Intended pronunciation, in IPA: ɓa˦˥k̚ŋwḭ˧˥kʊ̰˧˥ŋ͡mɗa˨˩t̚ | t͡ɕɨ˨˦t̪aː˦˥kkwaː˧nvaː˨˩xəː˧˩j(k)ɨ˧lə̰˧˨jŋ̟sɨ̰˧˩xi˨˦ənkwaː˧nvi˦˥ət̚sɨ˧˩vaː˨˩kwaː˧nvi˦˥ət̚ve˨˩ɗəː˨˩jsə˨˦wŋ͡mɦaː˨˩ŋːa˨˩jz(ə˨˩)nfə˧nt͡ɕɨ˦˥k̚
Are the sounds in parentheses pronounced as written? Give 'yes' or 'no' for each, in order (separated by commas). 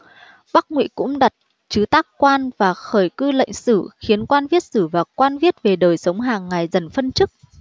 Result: yes, yes